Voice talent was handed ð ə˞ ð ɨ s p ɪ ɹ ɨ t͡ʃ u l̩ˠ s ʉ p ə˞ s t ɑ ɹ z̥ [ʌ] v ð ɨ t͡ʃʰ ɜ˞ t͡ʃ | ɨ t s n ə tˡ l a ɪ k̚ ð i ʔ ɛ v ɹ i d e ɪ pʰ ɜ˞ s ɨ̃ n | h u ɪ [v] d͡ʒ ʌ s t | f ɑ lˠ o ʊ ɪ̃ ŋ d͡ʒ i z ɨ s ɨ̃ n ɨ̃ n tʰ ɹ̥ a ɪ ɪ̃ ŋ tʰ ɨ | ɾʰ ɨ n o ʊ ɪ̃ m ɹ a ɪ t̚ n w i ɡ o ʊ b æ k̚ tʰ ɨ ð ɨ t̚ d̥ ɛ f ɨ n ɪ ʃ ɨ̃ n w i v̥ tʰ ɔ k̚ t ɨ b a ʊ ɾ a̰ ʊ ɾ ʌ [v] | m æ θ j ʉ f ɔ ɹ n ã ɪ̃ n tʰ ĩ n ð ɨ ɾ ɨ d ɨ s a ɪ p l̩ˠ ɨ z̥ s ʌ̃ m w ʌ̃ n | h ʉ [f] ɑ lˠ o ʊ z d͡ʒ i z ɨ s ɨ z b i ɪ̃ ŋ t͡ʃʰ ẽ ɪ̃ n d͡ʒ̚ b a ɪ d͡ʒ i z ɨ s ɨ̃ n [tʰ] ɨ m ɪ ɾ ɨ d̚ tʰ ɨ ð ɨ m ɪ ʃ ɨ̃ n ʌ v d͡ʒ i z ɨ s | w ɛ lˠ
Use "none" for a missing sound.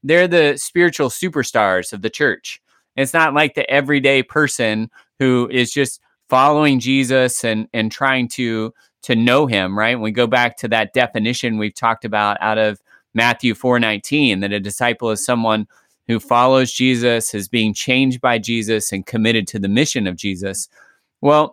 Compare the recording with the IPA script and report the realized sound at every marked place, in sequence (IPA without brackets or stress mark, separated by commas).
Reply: ʌ, z, v, f, kʰ